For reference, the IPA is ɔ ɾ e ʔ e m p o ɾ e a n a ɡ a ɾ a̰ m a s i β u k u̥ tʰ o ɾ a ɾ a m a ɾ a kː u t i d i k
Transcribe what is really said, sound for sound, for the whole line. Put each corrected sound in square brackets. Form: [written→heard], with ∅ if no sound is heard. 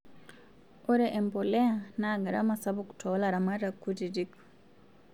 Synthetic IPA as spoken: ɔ ɾ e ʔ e m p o [ɾ→l] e a n a ɡ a ɾ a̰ m a s [i→a] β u k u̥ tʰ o [ɾ→l] a ɾ a m a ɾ a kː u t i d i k